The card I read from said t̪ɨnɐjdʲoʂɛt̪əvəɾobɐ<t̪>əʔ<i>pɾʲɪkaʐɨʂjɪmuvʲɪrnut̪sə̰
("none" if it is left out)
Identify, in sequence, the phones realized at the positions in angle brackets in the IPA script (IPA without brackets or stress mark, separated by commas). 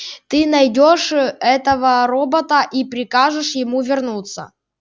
t̪, i